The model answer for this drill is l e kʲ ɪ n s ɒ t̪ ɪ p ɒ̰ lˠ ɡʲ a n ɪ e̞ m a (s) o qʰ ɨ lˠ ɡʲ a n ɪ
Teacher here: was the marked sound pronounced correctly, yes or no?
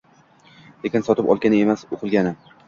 yes